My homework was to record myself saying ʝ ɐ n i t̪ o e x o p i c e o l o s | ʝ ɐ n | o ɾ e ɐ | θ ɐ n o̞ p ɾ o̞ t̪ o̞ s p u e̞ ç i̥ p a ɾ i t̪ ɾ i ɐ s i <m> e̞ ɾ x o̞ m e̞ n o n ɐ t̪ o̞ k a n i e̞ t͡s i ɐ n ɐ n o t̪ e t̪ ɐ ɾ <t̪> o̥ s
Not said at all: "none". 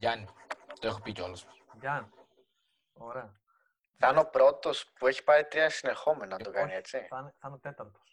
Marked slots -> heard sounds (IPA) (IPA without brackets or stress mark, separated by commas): n, t̪